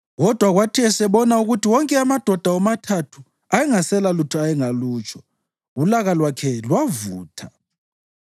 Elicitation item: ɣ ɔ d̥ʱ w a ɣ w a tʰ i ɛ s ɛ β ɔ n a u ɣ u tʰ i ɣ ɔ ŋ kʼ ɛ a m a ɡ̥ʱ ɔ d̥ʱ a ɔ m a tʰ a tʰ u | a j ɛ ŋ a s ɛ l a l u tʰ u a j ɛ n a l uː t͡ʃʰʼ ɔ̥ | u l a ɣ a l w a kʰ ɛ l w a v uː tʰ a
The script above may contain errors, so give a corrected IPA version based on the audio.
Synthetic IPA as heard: ɣ ɔ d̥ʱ w a ɣ w a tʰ i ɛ s ɛ β ɔ n a u ɣ u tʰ i w ɔ ŋ kʼ ɛ a m a d̥ʱ ɔ d̥ʱ a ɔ m a tʰ a tʰ u | a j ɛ ŋ a s ɛ l a l u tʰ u a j ɛ ŋ a l uː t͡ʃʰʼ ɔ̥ | u l a ɣ a l w a kʰ ɛ l w a v uː tʰ a